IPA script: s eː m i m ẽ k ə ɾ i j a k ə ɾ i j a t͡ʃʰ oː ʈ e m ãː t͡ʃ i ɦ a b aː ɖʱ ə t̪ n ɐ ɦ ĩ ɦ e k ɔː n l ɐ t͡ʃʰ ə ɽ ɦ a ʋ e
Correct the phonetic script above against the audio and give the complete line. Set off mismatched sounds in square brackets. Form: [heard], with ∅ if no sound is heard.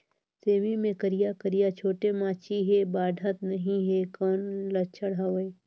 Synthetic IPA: s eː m i m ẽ k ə ɾ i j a k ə ɾ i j a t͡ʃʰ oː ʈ e m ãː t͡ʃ i ɦ [e] b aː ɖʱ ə t̪ n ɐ ɦ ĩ ɦ e k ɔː n l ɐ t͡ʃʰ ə ɽ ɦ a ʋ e